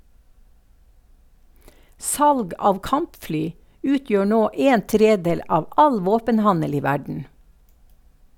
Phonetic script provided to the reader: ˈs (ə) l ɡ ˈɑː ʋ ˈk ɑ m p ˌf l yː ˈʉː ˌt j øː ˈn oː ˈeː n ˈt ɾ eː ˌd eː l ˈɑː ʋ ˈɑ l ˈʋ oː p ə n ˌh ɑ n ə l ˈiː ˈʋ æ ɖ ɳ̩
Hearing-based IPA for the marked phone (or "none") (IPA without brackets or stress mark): ɑ